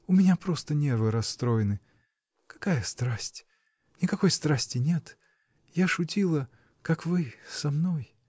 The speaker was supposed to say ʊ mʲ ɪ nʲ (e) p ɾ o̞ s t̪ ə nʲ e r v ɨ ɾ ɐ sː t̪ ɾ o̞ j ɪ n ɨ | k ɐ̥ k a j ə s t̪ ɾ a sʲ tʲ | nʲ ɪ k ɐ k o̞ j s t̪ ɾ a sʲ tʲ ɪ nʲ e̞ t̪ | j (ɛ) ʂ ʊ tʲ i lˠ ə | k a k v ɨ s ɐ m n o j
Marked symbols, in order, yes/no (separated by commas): no, no